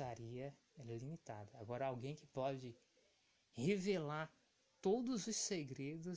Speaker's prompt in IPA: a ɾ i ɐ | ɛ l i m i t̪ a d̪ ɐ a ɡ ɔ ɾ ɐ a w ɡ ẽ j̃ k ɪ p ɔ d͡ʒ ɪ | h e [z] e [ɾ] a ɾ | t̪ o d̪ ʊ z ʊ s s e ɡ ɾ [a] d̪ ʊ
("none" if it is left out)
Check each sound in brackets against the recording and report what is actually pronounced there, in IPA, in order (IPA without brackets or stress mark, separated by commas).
v, l, e